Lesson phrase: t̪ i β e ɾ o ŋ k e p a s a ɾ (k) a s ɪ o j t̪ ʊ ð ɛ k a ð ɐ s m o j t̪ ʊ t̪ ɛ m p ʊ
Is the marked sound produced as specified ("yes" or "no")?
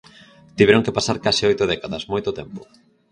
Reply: yes